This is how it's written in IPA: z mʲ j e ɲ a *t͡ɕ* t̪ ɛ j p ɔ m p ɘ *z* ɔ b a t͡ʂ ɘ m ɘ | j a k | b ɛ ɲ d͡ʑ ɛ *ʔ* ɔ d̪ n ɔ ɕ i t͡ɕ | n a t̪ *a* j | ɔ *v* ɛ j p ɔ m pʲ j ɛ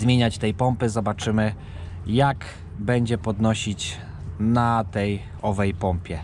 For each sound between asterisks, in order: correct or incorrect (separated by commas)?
correct, correct, incorrect, incorrect, correct